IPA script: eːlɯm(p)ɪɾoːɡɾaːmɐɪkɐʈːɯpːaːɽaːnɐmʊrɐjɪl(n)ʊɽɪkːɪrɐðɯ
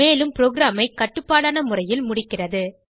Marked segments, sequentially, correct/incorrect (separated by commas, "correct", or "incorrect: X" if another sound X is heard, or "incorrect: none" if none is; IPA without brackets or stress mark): correct, incorrect: m